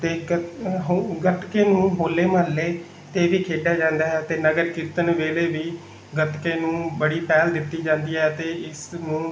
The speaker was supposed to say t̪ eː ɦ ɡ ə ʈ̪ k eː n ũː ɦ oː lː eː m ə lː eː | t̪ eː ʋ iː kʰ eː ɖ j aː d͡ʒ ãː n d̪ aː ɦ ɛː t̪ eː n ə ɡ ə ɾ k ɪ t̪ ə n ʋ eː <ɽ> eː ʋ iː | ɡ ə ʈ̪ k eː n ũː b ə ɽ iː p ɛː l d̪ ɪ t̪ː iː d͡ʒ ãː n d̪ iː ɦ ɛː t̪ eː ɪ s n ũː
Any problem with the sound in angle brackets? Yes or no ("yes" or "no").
yes